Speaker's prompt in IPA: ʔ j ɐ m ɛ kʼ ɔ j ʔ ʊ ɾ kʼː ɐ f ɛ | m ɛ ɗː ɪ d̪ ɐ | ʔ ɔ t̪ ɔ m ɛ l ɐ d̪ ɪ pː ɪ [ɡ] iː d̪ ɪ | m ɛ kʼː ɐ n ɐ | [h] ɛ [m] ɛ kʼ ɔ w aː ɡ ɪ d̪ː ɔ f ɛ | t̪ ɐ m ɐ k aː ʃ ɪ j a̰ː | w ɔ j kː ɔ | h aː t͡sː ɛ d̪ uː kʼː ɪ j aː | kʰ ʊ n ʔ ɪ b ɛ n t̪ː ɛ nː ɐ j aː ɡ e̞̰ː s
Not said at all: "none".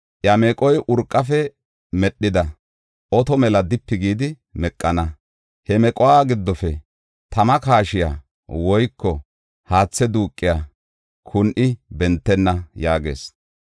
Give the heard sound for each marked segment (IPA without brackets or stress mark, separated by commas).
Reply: ɡ, h, m